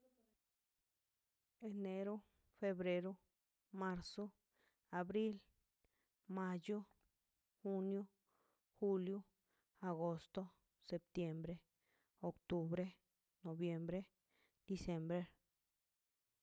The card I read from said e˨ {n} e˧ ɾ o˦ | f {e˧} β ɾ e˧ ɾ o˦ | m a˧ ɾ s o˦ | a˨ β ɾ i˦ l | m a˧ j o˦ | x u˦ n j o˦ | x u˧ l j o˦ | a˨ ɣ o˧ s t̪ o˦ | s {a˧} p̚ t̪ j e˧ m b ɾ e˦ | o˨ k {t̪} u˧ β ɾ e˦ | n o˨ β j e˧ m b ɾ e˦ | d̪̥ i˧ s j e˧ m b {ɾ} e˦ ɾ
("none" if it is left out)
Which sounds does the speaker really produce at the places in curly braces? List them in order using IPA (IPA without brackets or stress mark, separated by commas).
n, e˧, e˧, t̪, ɾ